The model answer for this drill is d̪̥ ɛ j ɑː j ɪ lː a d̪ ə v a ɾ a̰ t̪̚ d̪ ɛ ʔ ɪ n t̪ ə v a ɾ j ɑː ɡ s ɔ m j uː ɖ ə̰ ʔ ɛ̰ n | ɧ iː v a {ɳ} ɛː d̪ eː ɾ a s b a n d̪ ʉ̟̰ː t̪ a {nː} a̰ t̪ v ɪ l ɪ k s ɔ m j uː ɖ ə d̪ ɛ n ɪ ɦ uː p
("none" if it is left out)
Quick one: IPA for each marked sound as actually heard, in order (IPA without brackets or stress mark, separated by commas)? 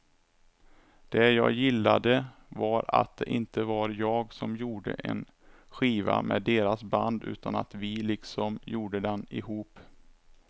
m, n